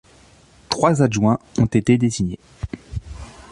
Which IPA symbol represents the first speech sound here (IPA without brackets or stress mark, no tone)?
t̪